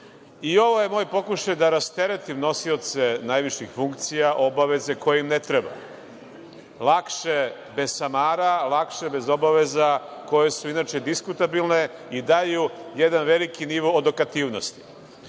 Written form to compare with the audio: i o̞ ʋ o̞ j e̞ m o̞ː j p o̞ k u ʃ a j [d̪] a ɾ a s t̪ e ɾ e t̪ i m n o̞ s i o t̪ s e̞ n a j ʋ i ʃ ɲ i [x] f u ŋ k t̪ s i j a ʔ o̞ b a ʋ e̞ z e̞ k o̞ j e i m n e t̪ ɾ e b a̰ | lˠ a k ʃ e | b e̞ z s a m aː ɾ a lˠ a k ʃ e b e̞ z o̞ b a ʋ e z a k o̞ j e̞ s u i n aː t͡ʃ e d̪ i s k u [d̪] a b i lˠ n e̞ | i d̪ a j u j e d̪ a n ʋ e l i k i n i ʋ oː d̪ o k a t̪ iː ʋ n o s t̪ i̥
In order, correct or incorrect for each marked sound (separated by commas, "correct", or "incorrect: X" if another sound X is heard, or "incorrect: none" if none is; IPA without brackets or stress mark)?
correct, correct, incorrect: t̪